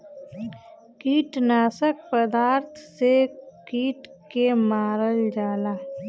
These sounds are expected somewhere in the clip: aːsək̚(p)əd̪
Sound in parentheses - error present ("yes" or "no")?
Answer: no